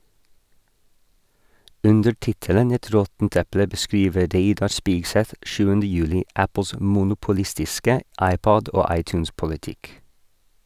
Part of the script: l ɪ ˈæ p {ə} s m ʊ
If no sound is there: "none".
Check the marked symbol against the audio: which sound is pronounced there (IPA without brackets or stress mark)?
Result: ə